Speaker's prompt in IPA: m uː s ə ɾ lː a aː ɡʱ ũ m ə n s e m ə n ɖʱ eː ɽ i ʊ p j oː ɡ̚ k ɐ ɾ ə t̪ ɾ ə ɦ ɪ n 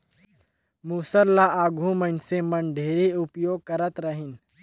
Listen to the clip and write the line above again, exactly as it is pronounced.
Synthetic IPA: m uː s ə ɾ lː a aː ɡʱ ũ m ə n s e m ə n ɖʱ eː ɾ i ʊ p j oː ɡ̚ k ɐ ɾ ə t̪ ɾ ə ɦ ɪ n